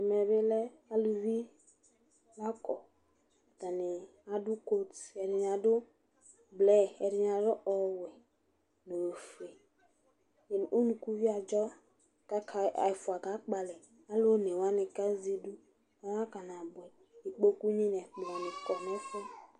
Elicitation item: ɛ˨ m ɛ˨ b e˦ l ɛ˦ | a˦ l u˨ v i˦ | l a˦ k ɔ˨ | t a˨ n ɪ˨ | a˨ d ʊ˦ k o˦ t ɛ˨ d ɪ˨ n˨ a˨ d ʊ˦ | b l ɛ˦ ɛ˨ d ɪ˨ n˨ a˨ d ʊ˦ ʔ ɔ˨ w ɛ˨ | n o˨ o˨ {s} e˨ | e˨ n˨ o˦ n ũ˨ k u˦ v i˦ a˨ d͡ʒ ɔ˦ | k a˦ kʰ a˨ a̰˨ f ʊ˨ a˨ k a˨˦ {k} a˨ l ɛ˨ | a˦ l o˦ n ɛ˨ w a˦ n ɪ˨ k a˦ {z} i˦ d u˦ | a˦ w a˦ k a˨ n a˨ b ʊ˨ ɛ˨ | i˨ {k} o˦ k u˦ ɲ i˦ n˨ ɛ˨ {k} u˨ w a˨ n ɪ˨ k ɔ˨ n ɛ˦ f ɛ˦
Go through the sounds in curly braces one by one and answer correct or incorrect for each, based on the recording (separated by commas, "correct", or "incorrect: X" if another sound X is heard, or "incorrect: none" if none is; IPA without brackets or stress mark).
incorrect: f, incorrect: k͡p, correct, incorrect: k͡p, incorrect: k͡p